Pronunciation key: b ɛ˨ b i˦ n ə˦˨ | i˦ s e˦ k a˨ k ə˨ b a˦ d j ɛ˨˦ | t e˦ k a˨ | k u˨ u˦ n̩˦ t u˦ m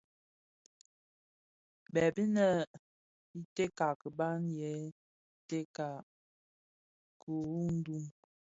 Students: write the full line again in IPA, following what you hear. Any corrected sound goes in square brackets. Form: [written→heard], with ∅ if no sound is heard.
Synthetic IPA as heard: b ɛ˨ b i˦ n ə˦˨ | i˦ [s→t] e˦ k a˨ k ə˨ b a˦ [d→n] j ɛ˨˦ | t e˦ k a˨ | k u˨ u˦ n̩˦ [t→d] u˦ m